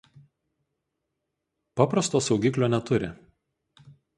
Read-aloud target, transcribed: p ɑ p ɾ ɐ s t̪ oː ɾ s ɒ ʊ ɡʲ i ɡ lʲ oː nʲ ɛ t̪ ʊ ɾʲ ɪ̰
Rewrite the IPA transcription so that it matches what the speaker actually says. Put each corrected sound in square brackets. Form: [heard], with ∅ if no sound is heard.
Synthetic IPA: p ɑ p ɾ ɐ s t̪ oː [∅] s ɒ ʊ ɡʲ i [k] lʲ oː nʲ ɛ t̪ ʊ ɾʲ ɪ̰

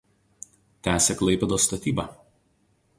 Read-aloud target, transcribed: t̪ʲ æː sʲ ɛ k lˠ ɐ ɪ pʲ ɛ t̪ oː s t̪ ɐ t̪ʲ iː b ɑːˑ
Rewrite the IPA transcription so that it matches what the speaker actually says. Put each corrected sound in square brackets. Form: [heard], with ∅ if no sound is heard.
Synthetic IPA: t̪ʲ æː sʲ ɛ k lˠ ɐ ɪ pʲ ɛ [d̪] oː s t̪ ɐ t̪ʲ iː b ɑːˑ

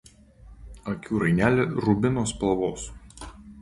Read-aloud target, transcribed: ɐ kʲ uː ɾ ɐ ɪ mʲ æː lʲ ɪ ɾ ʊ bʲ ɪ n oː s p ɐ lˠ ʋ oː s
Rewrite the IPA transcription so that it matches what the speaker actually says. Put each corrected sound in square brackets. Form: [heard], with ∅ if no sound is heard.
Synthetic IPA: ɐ kʲ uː ɾ ɐ ɪ [nʲ] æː lʲ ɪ ɾ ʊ bʲ ɪ n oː s p ɐ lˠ ʋ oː s

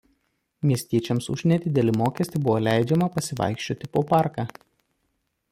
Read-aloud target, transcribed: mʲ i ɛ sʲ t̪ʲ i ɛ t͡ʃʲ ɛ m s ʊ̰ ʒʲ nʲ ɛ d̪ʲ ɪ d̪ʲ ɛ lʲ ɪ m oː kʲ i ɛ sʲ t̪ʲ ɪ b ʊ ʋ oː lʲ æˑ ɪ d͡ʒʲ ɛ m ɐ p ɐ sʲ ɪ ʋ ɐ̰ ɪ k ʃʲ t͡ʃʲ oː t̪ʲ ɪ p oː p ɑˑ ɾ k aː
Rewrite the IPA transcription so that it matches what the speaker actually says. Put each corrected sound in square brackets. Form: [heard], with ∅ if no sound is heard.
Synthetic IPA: mʲ i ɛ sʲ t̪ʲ i ɛ t͡ʃʲ ɛ m s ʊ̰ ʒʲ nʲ ɛ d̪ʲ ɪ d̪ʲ ɛ lʲ ɪ m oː kʲ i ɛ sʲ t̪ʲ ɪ b ʊ ʋ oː lʲ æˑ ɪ d͡ʒʲ ɛ m ɐ p ɐ sʲ ɪ ʋ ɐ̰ ɪ k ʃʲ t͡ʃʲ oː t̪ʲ ɪ p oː p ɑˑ ɾ k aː

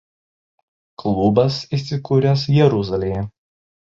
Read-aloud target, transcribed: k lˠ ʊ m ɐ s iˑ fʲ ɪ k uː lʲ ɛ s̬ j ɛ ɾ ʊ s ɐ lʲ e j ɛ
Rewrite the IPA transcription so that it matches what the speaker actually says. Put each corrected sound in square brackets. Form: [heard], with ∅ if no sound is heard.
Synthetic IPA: k lˠ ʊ [b] ɐ s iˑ [sʲ] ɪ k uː [ɾʲ] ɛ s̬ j ɛ ɾ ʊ [z] ɐ lʲ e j ɛ

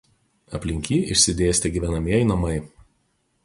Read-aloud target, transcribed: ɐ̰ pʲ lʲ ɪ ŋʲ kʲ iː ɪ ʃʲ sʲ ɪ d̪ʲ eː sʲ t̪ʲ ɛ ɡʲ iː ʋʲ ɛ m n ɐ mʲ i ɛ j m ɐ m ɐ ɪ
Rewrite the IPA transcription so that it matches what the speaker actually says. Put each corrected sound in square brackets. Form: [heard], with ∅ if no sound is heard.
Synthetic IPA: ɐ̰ pʲ lʲ ɪ ŋʲ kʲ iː ɪ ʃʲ sʲ ɪ d̪ʲ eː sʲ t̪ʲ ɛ ɡʲ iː ʋʲ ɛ [∅] n ɐ mʲ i ɛ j [n] ɐ m ɐ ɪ

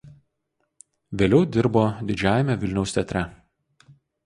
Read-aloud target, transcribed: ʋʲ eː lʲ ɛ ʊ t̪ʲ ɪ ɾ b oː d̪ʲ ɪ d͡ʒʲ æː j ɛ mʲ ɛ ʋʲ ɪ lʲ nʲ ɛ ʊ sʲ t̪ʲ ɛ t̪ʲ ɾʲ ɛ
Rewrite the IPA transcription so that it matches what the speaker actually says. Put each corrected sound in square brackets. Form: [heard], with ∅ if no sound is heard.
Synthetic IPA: ʋʲ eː lʲ ɛ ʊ [d̪ʲ] ɪ ɾ b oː d̪ʲ ɪ d͡ʒʲ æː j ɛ mʲ ɛ ʋʲ ɪ lʲ nʲ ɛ ʊ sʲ t̪ʲ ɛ t̪ʲ ɾʲ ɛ

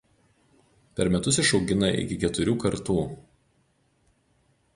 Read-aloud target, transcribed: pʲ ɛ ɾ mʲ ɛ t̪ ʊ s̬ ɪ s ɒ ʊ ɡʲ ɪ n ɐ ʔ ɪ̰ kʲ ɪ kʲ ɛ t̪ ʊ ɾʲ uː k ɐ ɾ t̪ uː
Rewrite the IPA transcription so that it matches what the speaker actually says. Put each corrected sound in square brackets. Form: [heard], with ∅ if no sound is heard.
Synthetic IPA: pʲ ɛ ɾ mʲ ɛ t̪ ʊ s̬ ɪ [ʃ] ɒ ʊ ɡʲ ɪ n ɐ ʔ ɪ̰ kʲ ɪ kʲ ɛ t̪ ʊ ɾʲ uː k ɐ ɾ t̪ uː

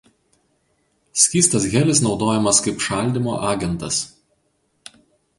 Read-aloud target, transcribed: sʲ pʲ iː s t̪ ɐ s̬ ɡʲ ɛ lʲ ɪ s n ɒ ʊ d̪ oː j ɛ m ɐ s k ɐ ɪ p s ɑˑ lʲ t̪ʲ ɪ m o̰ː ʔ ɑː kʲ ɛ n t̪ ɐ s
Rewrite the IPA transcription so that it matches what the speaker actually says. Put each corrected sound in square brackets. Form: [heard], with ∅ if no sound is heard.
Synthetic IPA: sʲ [kʲ] iː s t̪ ɐ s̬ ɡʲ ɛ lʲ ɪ s n ɒ ʊ d̪ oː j ɛ m ɐ s k ɐ ɪ p [ʃ] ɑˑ lʲ [d̪ʲ] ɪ m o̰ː ʔ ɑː [ɡʲ] ɛ n t̪ ɐ s

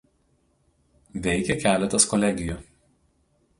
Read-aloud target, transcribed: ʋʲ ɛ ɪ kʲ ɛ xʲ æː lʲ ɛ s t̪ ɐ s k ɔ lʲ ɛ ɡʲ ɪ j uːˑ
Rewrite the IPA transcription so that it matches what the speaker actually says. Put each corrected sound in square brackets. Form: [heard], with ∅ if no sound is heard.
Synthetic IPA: ʋʲ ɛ ɪ kʲ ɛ [kʲ] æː lʲ ɛ [∅] t̪ ɐ s k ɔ lʲ ɛ ɡʲ ɪ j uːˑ

